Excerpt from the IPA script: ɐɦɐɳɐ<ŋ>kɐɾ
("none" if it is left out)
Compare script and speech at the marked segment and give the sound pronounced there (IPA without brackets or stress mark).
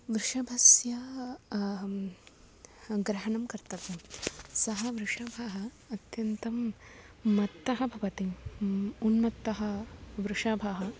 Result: m